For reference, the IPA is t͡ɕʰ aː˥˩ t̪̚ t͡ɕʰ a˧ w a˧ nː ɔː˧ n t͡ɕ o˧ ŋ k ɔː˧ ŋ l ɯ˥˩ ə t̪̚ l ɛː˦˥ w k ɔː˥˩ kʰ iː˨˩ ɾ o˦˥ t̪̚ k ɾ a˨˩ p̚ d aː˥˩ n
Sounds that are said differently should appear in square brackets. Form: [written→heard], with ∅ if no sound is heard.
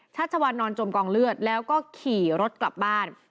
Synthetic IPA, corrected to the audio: t͡ɕʰ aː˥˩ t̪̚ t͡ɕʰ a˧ w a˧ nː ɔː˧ n t͡ɕ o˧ [ŋ→m] k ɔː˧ ŋ l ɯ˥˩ ə t̪̚ l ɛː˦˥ w k ɔː˥˩ kʰ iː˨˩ ɾ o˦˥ t̪̚ k [ɾ→l] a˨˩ p̚ [d→b] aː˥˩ n